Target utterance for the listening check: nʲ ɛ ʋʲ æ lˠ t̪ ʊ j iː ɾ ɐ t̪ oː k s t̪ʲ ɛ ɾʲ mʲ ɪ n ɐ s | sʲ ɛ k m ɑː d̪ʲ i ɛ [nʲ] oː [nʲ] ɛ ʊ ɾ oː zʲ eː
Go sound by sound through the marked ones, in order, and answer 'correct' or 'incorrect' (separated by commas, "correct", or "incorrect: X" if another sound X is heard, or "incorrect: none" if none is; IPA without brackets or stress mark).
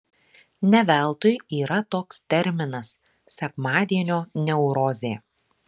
correct, correct